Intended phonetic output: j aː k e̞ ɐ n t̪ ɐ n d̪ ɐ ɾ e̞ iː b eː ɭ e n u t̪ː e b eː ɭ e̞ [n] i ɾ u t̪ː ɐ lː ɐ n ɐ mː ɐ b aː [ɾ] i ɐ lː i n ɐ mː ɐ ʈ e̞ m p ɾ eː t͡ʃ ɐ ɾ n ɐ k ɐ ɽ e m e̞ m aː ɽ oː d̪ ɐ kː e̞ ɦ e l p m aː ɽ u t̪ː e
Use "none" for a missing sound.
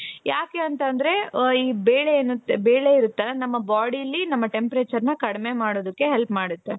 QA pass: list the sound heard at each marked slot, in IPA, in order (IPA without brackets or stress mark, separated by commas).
none, ɽ